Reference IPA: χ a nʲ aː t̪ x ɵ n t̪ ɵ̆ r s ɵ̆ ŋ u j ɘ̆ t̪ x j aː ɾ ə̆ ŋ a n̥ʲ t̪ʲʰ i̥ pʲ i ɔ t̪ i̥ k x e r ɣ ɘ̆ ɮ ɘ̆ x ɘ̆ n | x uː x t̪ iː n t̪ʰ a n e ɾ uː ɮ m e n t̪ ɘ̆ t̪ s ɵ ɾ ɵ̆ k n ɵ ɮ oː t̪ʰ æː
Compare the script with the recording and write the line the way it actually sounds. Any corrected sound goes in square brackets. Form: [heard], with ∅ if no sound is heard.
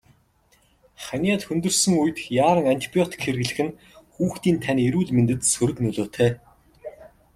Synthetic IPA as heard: χ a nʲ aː t̪ x ɵ n t̪ ɵ̆ r s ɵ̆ ŋ u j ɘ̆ t̪ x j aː ɾ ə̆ ŋ a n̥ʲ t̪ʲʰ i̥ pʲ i ɔ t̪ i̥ k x e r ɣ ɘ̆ ɮ ɘ̆ x ɘ̆ n | x uː x t̪ iː n t̪ʰ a n e ɾ uː ɮ m e n t̪ ɘ̆ t̪ s ɵ ɾ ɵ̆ k n ɵ ɮ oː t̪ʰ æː

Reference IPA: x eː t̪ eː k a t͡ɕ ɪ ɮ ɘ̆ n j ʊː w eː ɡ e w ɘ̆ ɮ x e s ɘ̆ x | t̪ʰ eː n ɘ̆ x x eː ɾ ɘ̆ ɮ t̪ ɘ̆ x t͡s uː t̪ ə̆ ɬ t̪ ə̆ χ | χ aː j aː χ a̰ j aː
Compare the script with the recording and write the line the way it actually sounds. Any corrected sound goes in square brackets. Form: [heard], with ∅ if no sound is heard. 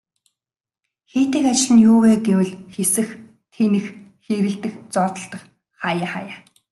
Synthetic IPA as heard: x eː t̪ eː k a t͡ɕ ɪ ɮ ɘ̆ n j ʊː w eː ɡ e w ɘ̆ ɮ x e s ɘ̆ x | t̪ʰ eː n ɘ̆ x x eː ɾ ɘ̆ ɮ t̪ ɘ̆ x t͡s [ɔː] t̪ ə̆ ɬ t̪ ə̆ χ | χ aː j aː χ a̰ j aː

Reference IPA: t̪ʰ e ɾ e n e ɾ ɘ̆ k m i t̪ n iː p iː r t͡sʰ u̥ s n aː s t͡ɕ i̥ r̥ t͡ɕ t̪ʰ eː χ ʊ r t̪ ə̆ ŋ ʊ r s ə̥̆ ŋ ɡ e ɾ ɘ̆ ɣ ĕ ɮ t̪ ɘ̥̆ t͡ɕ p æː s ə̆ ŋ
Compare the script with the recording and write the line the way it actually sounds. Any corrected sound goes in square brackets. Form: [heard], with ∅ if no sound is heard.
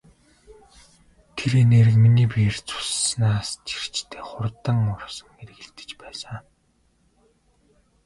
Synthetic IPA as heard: t̪ʰ e ɾ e n e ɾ ɘ̆ k m i [∅] n iː p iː r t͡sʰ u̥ s n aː s t͡ɕ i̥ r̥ t͡ɕ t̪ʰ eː χ ʊ r t̪ ə̆ ŋ ʊ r s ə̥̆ ŋ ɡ e ɾ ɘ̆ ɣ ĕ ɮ t̪ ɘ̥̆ t͡ɕ p æː s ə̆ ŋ

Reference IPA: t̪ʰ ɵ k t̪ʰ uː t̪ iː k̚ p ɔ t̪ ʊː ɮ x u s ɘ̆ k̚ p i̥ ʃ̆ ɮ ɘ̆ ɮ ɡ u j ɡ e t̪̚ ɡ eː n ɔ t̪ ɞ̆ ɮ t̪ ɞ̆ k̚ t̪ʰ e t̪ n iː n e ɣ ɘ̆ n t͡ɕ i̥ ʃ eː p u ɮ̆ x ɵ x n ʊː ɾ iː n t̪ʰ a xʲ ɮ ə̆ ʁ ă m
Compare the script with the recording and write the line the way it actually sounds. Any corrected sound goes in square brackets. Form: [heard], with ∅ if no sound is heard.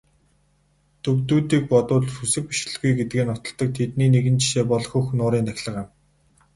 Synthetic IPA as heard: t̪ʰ ɵ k [t̪] uː t̪ iː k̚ p ɔ t̪ ʊː ɮ x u s ɘ̆ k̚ p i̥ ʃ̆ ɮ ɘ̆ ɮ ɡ u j ɡ e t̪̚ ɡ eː n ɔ t̪ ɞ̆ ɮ t̪ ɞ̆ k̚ t̪ʰ e t̪ n iː n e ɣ ɘ̆ n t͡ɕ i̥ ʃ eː p [ɔ] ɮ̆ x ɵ x n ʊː ɾ iː n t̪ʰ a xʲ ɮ ə̆ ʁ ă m

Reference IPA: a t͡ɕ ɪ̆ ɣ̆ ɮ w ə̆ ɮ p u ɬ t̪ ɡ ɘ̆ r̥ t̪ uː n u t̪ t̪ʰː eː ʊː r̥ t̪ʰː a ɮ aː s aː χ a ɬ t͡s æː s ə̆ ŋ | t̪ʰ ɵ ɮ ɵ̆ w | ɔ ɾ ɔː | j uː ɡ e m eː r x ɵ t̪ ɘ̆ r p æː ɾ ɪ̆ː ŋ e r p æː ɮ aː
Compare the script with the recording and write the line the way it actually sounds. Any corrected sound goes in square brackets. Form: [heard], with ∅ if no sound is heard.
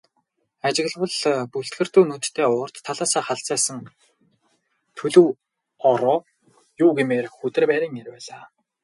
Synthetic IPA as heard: a t͡ɕ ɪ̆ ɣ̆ ɮ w ə̆ ɮ p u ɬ t̪ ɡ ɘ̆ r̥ t̪ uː n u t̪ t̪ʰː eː ʊː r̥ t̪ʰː a ɮ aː s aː χ a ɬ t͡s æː s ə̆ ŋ | t̪ʰ ɵ ɮ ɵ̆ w | ɔ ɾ ɔː | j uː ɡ e m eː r x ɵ t̪ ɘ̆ r p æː ɾ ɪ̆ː ŋ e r p æː ɮ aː

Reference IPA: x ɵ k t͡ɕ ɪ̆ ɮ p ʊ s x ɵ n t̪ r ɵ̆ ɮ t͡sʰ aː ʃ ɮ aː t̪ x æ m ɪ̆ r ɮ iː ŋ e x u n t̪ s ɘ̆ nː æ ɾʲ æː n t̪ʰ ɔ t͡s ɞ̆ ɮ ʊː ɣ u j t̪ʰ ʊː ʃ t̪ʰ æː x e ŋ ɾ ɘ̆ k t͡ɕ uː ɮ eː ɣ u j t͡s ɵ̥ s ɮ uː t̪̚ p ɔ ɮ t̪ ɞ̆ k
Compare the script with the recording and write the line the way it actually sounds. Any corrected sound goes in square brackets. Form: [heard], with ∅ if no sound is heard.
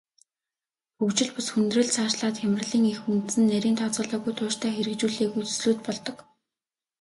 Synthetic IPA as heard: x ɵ k t͡ɕ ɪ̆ ɮ p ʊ s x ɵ n t̪ r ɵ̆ ɮ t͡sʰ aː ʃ ɮ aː t̪ x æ m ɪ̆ r ɮ iː ŋ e x u n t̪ s ɘ̆ nː æ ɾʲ [iː] n t̪ʰ ɔ t͡s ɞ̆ ɮ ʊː ɣ u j t̪ʰ ʊː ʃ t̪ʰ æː x e [∅] ɾ ɘ̆ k t͡ɕ uː ɮ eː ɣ u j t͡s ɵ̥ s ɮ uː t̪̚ p ɔ ɮ t̪ ɞ̆ k

